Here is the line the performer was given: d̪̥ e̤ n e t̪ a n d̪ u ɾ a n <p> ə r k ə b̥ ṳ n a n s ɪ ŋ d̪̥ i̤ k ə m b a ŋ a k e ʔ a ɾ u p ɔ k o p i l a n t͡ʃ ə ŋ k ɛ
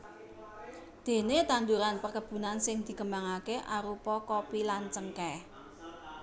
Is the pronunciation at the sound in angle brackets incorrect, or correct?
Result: correct